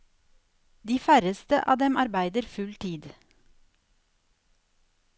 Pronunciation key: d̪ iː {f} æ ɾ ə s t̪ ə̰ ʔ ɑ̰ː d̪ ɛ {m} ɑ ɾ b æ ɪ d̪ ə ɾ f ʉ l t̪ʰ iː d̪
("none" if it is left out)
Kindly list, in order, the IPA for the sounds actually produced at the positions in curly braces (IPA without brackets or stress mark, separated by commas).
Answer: f, m